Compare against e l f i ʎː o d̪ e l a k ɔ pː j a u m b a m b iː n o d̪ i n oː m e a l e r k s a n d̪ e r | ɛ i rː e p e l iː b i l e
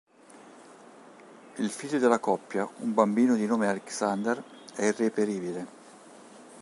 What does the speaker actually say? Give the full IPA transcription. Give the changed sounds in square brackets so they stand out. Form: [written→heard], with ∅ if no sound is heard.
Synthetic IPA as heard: [e→i] l f i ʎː o d̪ e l a k ɔ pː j a u m b a m b iː n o d̪ i n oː m e a l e [r→∅] k s a n d̪ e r | ɛ i rː e p e [l→ɾ] iː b i l e

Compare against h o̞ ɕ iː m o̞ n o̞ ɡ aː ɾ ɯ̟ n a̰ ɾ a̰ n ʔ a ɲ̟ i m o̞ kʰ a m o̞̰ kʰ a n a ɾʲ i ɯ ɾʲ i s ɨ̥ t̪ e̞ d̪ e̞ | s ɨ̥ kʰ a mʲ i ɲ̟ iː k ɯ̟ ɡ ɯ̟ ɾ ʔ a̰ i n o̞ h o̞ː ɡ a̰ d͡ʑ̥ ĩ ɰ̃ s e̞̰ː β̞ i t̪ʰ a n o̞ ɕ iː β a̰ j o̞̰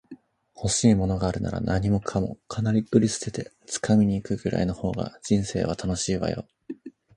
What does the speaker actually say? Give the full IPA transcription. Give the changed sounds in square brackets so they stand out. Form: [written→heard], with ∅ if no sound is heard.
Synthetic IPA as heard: h o̞ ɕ iː m o̞ n o̞ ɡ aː ɾ ɯ̟ n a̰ ɾ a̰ n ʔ a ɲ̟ i m o̞ kʰ a m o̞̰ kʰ a n a ɾʲ i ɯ ɾʲ i s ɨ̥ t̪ e̞ [d̪→t̪] e̞ | [s→t͡s] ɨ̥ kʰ a mʲ i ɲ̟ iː k ɯ̟ ɡ ɯ̟ ɾ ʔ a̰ i n o̞ h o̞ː ɡ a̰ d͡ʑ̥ ĩ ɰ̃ s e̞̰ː β̞ [i→a] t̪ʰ a n o̞ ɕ iː β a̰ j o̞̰

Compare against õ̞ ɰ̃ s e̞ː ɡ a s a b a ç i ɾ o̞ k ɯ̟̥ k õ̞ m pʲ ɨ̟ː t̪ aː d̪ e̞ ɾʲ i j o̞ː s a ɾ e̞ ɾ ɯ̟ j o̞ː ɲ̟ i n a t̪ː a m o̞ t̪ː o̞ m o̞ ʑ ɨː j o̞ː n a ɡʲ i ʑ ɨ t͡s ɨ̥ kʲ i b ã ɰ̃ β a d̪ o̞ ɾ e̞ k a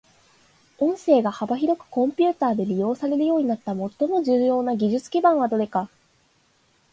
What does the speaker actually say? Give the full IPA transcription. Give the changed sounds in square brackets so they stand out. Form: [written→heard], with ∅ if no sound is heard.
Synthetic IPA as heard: õ̞ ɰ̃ s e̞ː ɡ a [s→h] a b a ç i ɾ o̞ k ɯ̟̥ k õ̞ m pʲ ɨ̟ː t̪ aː d̪ e̞ ɾʲ i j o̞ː s a ɾ e̞ ɾ ɯ̟ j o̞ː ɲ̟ i n a t̪ː a m o̞ t̪ː o̞ m o̞ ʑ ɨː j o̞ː n a ɡʲ i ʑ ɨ t͡s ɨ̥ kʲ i b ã ɰ̃ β a d̪ o̞ ɾ e̞ k a

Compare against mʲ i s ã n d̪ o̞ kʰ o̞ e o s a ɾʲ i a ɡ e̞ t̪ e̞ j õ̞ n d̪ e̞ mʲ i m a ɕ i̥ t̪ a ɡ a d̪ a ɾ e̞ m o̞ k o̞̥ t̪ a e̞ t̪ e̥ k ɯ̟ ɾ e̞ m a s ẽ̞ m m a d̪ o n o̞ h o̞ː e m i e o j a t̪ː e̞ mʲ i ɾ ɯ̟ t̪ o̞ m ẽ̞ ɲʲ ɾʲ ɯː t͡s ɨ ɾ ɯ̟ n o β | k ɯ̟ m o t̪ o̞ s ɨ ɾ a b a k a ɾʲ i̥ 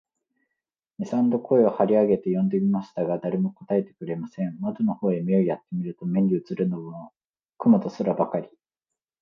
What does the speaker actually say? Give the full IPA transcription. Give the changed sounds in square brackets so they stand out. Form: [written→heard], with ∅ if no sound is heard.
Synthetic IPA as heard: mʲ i s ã n d̪ o̞ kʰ o̞ e o [s→h] a ɾʲ i a ɡ e̞ t̪ e̞ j õ̞ n d̪ e̞ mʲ i m a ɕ i̥ t̪ a ɡ a d̪ a ɾ e̞ m o̞ k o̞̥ t̪ a e̞ t̪ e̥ k ɯ̟ ɾ e̞ m a s ẽ̞ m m a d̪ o n o̞ h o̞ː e m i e o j a t̪ː e̞ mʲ i ɾ ɯ̟ t̪ o̞ m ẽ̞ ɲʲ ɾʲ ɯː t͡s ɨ ɾ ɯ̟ n o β | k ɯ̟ m o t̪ o̞ s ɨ ɾ a b a k a ɾʲ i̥

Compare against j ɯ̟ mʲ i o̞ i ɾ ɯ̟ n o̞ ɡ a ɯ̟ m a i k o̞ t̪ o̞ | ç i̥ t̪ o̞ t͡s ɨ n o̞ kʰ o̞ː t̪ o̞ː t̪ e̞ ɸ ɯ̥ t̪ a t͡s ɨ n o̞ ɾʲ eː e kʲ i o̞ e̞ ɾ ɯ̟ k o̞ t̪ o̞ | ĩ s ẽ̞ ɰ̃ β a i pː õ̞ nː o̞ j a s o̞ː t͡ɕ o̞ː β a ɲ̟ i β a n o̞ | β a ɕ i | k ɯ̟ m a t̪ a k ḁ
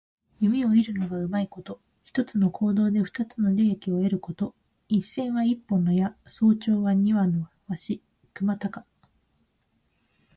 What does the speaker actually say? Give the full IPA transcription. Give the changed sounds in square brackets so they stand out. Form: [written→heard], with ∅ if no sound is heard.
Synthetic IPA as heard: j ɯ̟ mʲ i o̞ i ɾ ɯ̟ n o̞ ɡ a ɯ̟ m a i k o̞ t̪ o̞ | ç i̥ t̪ o̞ t͡s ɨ n o̞ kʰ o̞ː [t̪→d̪] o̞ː [t̪→d̪] e̞ ɸ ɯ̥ t̪ a t͡s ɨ n o̞ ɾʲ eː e kʲ i o̞ e̞ ɾ ɯ̟ k o̞ t̪ o̞ | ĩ s ẽ̞ ɰ̃ β a i pː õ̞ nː o̞ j a s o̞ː t͡ɕ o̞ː β a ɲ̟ i β a n o̞ | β a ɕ i | k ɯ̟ m a t̪ a k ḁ

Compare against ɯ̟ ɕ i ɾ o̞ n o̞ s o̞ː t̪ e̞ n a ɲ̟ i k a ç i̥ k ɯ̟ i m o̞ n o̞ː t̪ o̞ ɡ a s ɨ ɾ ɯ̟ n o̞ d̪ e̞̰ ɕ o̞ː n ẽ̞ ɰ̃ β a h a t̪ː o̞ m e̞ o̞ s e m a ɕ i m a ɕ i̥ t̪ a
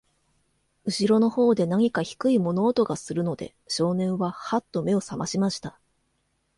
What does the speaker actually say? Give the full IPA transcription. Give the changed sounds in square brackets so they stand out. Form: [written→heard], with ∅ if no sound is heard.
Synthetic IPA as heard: ɯ̟ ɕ i ɾ o̞ n o̞ [s→h] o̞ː [t̪→d̪] e̞ n a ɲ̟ i k a ç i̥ k ɯ̟ i m o̞ n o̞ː t̪ o̞ ɡ a s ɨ ɾ ɯ̟ n o̞ d̪ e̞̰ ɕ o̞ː n ẽ̞ ɰ̃ β a h a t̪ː o̞ m e̞ o̞ s [e→a] m a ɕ i m a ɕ i̥ t̪ a

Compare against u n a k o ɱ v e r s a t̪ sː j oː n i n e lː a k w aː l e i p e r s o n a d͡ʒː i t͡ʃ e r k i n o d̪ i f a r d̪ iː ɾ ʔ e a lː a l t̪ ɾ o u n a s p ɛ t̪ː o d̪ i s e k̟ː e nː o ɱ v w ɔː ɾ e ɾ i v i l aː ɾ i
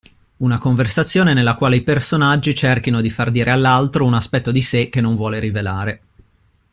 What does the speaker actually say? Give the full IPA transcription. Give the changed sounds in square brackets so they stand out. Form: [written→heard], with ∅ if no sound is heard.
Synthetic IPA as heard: u n a k o ɱ v e r s a t̪ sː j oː n [i→e] n e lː a k w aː l e i p e r s o n a d͡ʒː i t͡ʃ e r k i n o d̪ i f a r d̪ iː ɾ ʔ e a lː a l t̪ ɾ o u n a s p ɛ t̪ː o d̪ i s e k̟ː e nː o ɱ v w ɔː [ɾ→l] e ɾ i v [i→e] l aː ɾ [i→e]

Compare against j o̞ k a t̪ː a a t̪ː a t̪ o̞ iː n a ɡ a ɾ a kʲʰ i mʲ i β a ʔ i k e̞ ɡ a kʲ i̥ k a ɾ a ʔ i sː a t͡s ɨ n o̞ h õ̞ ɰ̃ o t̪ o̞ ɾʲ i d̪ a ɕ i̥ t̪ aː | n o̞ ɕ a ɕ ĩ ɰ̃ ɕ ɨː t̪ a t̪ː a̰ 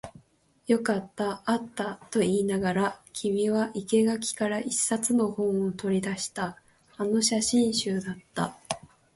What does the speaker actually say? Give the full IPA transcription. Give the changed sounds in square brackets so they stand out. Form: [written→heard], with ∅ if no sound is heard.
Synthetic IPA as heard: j o̞ k a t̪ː a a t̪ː a t̪ o̞ iː n a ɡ a ɾ a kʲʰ i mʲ i β a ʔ i k e̞ ɡ a kʲ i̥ k a ɾ a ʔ i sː a t͡s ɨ n o̞ h õ̞ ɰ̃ o t̪ o̞ ɾʲ i d̪ a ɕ i̥ t̪ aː | n o̞ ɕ a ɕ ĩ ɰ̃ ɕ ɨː [t̪→d̪] a t̪ː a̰

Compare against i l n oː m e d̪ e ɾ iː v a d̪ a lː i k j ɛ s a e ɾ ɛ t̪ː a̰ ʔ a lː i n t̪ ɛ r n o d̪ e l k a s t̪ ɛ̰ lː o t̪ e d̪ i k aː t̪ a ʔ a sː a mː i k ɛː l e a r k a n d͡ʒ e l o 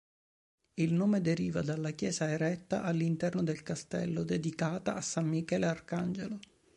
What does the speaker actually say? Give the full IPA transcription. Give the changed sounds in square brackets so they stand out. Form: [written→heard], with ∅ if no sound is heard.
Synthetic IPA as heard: i l n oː m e d̪ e ɾ iː v a d̪ a lː [i→a] k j [ɛ→ɛː] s a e ɾ ɛ t̪ː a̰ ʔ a lː i n t̪ ɛ r n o d̪ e l k a s t̪ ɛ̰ lː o [t̪→d̪] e d̪ i k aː t̪ a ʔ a sː a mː i k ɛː l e a r k a n d͡ʒ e l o

